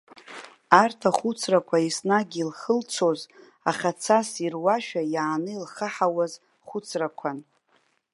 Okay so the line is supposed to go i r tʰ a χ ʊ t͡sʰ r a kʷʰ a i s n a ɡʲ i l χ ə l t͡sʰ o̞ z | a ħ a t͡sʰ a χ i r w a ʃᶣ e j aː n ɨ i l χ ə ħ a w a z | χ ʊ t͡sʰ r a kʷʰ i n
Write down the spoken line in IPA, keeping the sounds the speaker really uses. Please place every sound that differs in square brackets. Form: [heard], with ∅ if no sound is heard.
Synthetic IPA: [a] r tʰ a χ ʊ t͡sʰ r a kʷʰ a i s n a ɡʲ i l χ ə l t͡sʰ o̞ z | a [χ] a t͡sʰ a [s] i r w a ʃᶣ [a] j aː n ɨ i l χ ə ħ a w a z | χ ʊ t͡sʰ r a kʷʰ [a] n

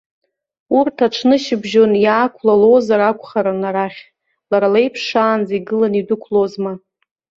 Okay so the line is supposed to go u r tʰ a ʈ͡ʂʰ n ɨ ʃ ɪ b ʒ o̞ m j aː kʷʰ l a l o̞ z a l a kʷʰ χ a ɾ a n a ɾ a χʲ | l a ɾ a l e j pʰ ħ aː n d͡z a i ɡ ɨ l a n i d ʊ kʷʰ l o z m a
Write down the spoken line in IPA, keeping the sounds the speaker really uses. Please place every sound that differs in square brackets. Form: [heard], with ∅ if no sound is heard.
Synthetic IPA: u r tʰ a ʈ͡ʂʰ n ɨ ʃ ɪ b ʒ o̞ [n] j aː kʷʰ l a l o̞ z a [ɾ] a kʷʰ χ a ɾ a n a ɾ a χʲ | l a ɾ a l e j pʰ [ʂ] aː n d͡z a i ɡ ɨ l a n i d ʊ kʷʰ l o z m a

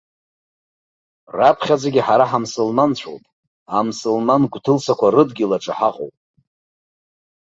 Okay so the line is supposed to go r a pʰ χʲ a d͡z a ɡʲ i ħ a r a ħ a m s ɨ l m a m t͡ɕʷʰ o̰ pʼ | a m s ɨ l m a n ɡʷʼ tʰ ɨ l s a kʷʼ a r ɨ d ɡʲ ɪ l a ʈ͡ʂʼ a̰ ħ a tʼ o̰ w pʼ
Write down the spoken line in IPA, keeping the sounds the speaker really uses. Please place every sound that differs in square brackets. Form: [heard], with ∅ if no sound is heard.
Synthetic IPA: r a pʰ χʲ a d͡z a ɡʲ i ħ a [ɾ] a ħ a m s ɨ l m a [n] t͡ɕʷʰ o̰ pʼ | a m s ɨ l m a n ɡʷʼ tʰ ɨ l s a [kʷ] a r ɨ d ɡʲ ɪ l a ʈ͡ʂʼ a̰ ħ a [qʼ] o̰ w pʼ

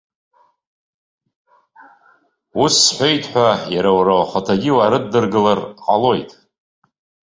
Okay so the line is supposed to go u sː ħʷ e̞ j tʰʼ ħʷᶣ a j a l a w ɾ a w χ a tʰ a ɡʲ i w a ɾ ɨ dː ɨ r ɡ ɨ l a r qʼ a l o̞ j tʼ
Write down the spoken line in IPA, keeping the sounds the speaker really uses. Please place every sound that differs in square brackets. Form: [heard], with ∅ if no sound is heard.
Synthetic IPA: u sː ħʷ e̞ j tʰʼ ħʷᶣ a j a [ɾ] a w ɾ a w χ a tʰ a ɡʲ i w a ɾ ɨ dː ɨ r ɡ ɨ l a r qʼ a l o̞ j tʼ

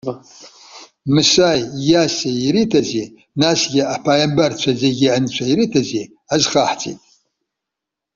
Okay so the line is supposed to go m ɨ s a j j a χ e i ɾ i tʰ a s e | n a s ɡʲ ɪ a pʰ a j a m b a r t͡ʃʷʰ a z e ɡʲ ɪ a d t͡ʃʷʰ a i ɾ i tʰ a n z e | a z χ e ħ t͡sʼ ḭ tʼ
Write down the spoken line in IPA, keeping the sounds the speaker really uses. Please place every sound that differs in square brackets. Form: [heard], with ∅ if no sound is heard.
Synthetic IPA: m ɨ s a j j a [s] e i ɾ i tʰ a [z] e | n a s ɡʲ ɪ a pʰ a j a m b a r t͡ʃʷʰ a z e ɡʲ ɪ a [n] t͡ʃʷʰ a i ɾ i tʰ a [∅] z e | a z χ [a] ħ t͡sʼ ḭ tʼ

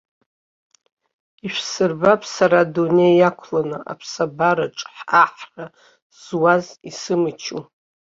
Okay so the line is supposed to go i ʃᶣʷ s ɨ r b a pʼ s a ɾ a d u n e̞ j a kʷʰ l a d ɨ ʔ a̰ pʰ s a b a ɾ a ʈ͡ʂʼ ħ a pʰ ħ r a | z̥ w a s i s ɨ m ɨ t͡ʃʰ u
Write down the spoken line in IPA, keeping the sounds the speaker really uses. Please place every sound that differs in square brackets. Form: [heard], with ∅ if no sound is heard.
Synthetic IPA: i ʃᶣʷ s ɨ r b a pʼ s a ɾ a d u n e̞ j a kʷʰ l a [n] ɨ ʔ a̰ pʰ s a b a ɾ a ʈ͡ʂʼ ħ a [∅] ħ r a | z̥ w a [z] i s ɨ m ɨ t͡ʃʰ u

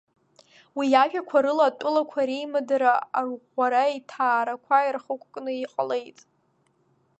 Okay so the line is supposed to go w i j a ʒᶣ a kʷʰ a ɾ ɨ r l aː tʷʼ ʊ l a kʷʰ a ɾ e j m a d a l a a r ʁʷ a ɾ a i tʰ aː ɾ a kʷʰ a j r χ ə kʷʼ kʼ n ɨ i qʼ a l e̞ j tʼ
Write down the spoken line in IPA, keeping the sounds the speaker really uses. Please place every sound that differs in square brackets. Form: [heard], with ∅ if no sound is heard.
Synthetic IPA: w i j a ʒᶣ a kʷʰ a ɾ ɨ [∅] l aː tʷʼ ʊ l a kʷʰ a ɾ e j m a d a [ɾ] a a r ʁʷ a ɾ a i tʰ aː ɾ a kʷʰ a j r χ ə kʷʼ kʼ n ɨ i qʼ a l e̞ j tʼ

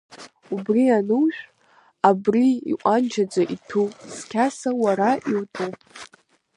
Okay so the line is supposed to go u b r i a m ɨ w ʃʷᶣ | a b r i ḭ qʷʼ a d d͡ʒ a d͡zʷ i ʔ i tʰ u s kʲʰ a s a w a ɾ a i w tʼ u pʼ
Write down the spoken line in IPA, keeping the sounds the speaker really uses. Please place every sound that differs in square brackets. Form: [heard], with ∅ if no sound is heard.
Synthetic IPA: u b r i a [n] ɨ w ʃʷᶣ | a b r i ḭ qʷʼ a [n] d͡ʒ a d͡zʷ [a] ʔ i tʰ u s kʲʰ a s a w a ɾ a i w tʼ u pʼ

